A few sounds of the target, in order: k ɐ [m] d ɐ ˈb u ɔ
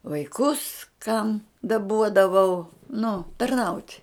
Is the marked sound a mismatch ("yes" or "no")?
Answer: no